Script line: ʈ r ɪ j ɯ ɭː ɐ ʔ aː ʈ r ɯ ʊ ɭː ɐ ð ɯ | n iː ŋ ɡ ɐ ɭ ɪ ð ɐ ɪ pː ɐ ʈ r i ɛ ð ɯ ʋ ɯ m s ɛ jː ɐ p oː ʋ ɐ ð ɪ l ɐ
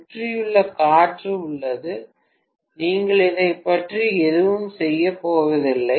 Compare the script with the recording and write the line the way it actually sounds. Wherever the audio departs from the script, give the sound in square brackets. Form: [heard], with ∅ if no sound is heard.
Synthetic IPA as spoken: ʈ r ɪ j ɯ ɭː ɐ [k] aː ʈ r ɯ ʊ ɭː ɐ ð ɯ | n iː ŋ ɡ ɐ ɭ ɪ ð ɐ ɪ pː ɐ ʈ r i ɛ ð ɯ ʋ ɯ m s ɛ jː ɐ p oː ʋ ɐ ð ɪ [lː] ɐ